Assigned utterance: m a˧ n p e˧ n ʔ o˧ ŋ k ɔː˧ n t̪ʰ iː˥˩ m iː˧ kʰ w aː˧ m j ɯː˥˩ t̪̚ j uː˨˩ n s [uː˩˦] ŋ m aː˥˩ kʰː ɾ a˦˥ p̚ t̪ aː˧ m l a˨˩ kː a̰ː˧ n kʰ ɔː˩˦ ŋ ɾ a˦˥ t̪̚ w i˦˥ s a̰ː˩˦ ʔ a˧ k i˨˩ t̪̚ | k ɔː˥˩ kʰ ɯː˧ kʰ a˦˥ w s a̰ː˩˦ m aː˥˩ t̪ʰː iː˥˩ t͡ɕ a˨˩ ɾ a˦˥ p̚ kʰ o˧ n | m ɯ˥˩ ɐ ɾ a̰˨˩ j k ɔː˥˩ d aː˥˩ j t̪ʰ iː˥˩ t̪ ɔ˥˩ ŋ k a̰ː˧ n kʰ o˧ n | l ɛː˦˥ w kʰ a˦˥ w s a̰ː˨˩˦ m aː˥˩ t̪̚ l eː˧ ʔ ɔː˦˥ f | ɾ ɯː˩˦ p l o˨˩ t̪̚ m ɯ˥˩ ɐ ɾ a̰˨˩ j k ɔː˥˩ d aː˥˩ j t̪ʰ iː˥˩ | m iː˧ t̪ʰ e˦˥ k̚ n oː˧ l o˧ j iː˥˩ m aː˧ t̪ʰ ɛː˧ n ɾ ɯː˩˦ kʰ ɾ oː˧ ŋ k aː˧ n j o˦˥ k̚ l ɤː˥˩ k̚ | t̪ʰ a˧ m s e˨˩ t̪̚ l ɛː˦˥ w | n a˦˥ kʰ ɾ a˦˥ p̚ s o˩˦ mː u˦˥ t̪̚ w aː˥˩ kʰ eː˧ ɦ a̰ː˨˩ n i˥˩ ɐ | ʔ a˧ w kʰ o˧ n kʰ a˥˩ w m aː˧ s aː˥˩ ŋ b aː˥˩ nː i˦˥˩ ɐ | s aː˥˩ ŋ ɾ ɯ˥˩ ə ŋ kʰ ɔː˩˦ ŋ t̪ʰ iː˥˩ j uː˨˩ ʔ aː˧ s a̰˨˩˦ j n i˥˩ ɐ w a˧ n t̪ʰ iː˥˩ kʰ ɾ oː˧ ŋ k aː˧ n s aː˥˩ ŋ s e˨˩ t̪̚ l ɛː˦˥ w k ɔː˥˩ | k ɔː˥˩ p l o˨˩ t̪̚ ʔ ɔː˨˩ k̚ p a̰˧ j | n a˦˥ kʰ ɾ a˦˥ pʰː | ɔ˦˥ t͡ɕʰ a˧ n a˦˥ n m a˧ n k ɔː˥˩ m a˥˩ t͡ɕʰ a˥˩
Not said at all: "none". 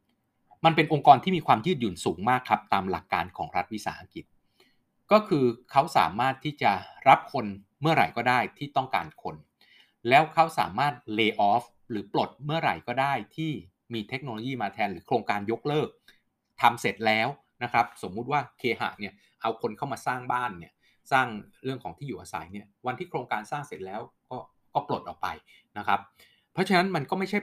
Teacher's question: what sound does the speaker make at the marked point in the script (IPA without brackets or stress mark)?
uː˩˦